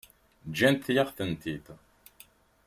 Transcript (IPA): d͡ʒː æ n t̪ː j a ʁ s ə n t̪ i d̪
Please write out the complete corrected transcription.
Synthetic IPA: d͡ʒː æ n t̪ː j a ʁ θ ə n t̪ i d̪